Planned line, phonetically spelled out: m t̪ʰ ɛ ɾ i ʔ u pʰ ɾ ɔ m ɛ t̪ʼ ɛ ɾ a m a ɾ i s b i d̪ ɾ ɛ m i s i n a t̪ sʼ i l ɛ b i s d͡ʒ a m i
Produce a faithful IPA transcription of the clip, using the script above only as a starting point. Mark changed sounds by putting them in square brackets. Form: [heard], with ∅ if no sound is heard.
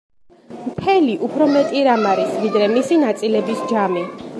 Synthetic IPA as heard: m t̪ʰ ɛ [l] i ʔ u pʰ ɾ ɔ m ɛ t̪ʼ [i] ɾ a m a ɾ i s [v] i d̪ ɾ ɛ m i s i n a t̪ sʼ i l ɛ b i s d͡ʒ a m i